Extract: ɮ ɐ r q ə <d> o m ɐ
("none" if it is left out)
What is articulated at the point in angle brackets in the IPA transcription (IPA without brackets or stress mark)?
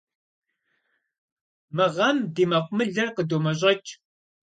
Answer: d